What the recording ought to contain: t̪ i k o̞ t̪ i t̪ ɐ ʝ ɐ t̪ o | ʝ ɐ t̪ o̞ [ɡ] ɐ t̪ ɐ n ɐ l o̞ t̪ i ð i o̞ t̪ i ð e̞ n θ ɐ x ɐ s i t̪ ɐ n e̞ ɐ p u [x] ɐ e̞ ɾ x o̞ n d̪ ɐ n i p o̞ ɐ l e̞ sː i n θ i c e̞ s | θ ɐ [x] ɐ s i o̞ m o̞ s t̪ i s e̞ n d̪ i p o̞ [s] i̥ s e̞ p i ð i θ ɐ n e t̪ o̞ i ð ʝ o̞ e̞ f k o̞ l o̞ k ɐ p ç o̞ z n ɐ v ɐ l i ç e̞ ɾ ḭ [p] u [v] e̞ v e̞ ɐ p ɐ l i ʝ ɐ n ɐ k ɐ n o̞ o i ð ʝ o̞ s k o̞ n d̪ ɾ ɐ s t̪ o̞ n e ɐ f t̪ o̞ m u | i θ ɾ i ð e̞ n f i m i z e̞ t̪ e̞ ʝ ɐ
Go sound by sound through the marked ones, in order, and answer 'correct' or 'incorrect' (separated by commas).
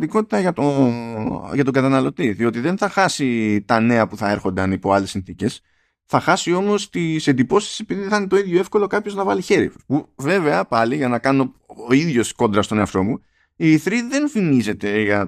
correct, incorrect, correct, correct, correct, correct